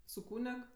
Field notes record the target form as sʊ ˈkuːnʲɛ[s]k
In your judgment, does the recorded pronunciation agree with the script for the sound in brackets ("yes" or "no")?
no